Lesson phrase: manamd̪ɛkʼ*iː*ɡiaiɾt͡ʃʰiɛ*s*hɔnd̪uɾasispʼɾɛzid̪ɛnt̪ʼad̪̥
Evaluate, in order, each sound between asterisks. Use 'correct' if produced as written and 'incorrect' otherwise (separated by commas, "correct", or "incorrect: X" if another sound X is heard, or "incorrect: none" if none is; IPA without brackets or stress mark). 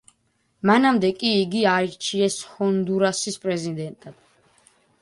correct, correct